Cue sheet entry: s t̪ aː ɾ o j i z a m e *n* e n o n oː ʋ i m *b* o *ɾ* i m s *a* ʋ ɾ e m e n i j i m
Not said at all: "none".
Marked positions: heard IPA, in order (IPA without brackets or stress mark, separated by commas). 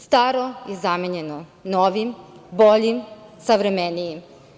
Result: ɲ, b, ʎ, a